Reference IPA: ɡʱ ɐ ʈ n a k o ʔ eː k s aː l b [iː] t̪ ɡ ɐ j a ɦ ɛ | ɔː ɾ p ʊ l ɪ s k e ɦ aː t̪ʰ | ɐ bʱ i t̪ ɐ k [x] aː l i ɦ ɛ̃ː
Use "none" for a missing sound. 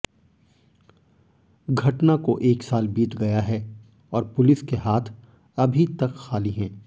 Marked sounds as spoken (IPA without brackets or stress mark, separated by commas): iː, x